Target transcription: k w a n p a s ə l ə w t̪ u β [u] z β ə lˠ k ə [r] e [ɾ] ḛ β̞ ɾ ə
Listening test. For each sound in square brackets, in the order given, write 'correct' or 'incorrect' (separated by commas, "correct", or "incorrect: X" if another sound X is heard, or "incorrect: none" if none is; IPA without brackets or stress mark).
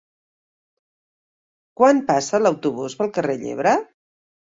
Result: correct, correct, incorrect: ʎ